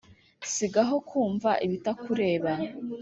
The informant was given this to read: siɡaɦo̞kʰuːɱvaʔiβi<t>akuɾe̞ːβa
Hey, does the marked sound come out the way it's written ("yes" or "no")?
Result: yes